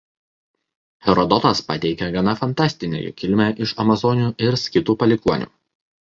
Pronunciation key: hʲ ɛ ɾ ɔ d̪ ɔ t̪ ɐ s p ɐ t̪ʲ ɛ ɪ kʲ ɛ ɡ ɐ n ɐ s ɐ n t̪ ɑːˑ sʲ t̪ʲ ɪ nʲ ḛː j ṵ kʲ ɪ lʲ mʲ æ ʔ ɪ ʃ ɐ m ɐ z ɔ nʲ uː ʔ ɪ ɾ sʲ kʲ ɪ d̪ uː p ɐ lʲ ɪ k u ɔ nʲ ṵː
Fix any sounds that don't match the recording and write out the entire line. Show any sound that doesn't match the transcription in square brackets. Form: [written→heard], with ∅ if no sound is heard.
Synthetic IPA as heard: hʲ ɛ ɾ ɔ d̪ ɔ t̪ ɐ s p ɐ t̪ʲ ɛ ɪ kʲ ɛ ɡ ɐ n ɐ [s→f] ɐ n t̪ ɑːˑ sʲ t̪ʲ ɪ nʲ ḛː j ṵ kʲ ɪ lʲ mʲ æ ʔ ɪ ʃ ɐ m ɐ z ɔ nʲ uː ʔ ɪ ɾ sʲ kʲ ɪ [d̪→t̪] uː p ɐ lʲ ɪ k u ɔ nʲ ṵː